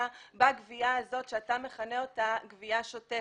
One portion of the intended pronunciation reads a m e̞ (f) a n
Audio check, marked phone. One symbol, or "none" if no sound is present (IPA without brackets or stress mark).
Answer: χ